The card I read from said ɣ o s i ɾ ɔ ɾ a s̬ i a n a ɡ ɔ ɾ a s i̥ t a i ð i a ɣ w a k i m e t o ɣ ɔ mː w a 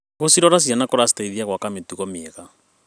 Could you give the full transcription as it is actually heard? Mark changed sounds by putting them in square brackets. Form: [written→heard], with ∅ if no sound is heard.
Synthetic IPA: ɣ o s i ɾ ɔ ɾ a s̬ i a n a [ɡ→k] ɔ ɾ a s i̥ t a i ð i a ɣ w a k [i→a] m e t [o→u] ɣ ɔ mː [w→ɣ] a